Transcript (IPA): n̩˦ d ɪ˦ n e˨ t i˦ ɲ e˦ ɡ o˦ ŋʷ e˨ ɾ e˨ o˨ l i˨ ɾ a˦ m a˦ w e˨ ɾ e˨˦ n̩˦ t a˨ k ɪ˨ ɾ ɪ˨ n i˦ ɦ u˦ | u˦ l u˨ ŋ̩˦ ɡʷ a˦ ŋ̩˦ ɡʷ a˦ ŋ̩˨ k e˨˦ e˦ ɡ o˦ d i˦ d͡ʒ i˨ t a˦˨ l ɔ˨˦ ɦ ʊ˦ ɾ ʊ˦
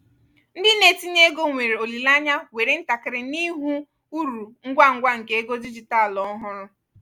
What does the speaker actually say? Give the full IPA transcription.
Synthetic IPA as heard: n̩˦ d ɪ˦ n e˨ t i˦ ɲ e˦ ɡ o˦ ŋʷ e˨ ɾ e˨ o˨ l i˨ l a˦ ɲ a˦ w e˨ ɾ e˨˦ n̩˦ t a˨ k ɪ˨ ɾ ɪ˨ n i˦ ɦ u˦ | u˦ ɾ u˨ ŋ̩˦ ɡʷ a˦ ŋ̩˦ ɡʷ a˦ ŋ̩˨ k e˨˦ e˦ ɡ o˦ d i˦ d͡ʒ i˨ t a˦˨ l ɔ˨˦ ɦ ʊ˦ ɾ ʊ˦

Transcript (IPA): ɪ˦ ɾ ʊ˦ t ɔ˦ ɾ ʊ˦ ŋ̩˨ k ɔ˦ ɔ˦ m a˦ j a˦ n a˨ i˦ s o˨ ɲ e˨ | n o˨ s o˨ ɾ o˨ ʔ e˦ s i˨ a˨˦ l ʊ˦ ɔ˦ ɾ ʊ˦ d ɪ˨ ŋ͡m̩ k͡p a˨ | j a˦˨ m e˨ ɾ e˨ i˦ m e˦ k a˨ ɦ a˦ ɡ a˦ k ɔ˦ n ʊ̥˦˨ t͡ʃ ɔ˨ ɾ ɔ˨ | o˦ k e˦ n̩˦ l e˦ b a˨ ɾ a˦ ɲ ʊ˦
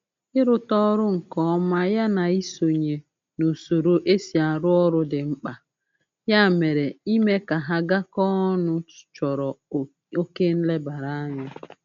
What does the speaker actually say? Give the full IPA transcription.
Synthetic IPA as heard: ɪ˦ ɾ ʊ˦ t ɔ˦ ɾ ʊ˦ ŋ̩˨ k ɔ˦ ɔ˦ m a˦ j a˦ n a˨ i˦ s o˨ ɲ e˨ | n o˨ s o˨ ɾ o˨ ʔ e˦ s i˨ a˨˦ ɾ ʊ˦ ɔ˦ ɾ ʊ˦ d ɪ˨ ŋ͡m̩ k͡p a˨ | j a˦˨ m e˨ ɾ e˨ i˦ m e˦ k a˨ ɦ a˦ ɡ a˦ k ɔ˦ n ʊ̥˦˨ t͡ʃ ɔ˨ ɾ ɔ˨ | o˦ k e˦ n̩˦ l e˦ b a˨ ɾ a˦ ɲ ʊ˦

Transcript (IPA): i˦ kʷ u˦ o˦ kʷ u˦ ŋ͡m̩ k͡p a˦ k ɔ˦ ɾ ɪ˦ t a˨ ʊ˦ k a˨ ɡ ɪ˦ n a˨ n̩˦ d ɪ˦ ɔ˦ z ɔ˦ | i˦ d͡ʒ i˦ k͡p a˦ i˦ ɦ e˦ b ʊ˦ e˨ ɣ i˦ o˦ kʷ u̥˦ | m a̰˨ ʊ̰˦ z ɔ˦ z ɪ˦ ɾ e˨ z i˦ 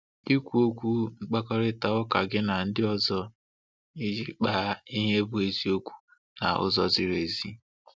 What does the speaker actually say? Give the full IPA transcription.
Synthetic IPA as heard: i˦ kʷ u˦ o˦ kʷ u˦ ŋ͡m̩ k͡p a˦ k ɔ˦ ɾ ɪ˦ t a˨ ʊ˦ k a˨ ɡ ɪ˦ n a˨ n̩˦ d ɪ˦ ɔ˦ z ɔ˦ | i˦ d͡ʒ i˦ k͡p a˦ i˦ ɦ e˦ b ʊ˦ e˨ z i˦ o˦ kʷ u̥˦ | n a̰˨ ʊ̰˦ z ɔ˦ z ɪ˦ ɾ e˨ z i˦

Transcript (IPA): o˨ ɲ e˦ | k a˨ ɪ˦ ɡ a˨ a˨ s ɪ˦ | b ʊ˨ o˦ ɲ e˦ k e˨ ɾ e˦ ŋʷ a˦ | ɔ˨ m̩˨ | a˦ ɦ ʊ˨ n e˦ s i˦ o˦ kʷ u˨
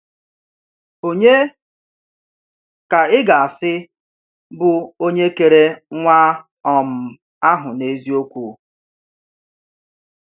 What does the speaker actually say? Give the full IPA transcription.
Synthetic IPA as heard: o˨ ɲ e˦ | k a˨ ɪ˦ ɡ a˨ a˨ s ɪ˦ | b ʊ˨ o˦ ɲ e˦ k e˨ ɾ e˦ ŋʷ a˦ | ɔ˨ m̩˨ | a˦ ɦ ʊ˨ n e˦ z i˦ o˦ kʷ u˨

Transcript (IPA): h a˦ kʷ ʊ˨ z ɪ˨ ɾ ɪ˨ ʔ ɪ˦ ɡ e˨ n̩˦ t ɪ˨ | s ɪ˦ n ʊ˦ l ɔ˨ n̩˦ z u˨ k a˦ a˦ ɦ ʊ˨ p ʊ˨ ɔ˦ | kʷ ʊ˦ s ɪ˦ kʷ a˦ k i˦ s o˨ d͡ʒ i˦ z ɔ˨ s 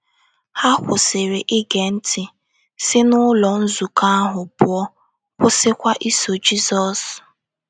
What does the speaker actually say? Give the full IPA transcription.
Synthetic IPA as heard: h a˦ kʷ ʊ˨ s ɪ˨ ɾ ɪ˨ ʔ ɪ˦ ɡ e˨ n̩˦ t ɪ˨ | s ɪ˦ n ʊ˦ l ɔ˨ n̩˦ z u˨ k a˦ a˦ ɦ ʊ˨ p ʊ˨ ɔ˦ | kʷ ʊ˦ s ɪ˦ kʷ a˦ ʔ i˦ s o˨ d͡ʒ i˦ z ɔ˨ s

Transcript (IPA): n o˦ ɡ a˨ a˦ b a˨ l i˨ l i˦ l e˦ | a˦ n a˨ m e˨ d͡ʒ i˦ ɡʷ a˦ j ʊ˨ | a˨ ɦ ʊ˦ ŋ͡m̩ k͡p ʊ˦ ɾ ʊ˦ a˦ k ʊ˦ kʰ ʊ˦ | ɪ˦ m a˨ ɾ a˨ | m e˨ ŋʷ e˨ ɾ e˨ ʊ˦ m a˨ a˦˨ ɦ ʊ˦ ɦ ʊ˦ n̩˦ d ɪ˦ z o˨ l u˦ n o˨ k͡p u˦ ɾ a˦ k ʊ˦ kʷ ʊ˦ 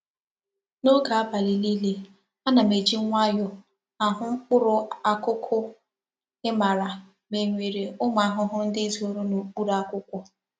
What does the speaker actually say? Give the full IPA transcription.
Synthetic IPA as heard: n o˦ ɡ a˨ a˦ b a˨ l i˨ l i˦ l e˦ | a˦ n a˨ m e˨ d͡ʒ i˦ ŋʷ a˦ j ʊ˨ | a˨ ɦ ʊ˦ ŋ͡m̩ k͡p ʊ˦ ɾ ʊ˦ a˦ k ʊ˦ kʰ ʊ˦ | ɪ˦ m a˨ ɾ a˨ | m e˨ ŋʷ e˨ ɾ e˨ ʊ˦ m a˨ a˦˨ ɦ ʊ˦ ɦ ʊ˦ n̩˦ d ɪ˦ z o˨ ɾ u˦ n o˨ k͡p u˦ ɾ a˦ k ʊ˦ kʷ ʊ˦

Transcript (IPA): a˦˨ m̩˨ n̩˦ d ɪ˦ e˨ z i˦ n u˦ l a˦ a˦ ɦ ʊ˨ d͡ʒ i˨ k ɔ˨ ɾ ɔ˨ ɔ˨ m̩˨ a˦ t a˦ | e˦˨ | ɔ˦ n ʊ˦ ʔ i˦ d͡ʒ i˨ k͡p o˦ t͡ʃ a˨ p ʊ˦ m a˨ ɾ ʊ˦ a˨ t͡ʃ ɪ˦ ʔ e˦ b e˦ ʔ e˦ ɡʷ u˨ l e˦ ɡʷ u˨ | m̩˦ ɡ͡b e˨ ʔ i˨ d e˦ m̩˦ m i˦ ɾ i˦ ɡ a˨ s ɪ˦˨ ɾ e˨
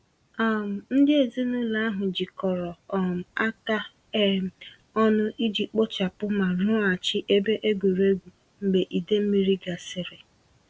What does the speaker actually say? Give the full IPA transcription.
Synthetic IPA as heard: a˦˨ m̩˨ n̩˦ d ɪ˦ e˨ z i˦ n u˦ l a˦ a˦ ɦ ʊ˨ d͡ʒ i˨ k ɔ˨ ɾ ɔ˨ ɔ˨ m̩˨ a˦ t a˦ | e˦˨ | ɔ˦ n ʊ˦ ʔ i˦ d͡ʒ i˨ k͡p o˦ t͡ʃ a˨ p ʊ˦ m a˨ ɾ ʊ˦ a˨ t͡ʃ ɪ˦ ʔ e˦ b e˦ ʔ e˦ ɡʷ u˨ ɾ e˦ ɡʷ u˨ | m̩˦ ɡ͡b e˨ ʔ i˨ d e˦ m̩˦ m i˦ ɾ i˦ ɡ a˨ s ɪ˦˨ ɾ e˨

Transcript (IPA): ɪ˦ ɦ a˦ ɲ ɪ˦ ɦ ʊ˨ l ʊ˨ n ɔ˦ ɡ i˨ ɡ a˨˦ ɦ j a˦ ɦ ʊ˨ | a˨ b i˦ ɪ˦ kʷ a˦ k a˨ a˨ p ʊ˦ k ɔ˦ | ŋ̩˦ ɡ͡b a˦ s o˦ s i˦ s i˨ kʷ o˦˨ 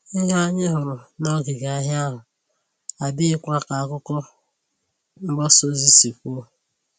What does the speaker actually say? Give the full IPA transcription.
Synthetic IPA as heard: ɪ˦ ɦ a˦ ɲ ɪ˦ ɦ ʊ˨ ɾ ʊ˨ n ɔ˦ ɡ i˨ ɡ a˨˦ ɦ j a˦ ɦ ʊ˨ | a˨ b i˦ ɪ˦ kʷ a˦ k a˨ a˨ k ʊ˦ k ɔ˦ | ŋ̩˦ ɡ͡b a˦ s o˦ z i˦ s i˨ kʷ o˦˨

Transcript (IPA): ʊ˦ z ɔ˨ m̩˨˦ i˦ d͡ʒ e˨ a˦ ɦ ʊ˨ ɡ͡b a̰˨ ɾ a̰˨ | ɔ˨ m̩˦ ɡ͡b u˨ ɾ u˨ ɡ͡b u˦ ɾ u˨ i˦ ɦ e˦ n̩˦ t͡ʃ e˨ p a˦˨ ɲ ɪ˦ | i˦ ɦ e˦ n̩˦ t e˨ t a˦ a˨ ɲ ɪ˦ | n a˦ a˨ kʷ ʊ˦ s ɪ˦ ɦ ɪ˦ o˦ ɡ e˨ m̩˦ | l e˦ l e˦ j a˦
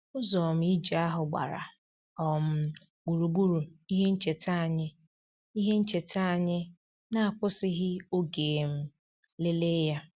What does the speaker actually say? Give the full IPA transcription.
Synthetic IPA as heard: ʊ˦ z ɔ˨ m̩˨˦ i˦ d͡ʒ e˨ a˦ ɦ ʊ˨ ɡ͡b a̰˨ ɾ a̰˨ | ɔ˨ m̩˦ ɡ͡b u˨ ɾ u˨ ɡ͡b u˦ ɾ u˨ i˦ ɦ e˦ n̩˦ t͡ʃ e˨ t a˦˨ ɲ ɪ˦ | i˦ ɦ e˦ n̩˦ t͡ʃ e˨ t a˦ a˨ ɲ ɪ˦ | n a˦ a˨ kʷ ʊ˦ s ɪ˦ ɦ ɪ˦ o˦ ɡ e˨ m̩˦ | l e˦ l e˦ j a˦

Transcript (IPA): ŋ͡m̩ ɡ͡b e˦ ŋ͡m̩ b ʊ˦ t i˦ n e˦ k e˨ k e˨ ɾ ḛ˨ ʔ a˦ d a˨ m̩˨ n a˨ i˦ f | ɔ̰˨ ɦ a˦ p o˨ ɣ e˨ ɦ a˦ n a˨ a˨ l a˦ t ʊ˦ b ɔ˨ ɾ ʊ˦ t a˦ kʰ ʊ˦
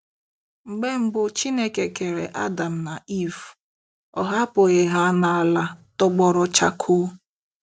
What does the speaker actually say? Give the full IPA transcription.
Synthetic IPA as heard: ŋ͡m̩ ɡ͡b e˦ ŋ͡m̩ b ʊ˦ t͡ʃ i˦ n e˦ k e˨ k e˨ ɾ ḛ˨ ʔ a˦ d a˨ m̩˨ n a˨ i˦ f | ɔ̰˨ ɦ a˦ p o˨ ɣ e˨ ɦ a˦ n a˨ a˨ l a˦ t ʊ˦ ɡ͡b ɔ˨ ɾ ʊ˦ t͡ʃ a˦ kʰ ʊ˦

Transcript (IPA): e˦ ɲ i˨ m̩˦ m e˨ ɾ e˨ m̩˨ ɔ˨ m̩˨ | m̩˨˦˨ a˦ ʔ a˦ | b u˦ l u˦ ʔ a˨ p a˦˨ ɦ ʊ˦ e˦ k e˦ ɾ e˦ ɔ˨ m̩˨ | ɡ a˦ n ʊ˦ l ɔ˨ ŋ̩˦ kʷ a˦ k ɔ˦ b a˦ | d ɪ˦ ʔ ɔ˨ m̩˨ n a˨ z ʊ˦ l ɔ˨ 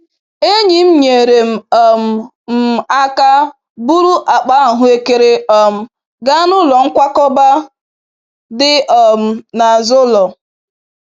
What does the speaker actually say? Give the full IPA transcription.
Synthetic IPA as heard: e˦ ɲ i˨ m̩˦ ɲ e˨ ɾ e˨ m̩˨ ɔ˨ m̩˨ | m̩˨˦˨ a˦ k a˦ | b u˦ ɾ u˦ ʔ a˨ k͡p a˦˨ ɦ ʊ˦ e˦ k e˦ ɾ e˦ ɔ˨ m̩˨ | ɡ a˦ n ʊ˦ l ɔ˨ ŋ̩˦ kʷ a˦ k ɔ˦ b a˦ | d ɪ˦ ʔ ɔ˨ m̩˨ n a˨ z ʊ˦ l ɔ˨

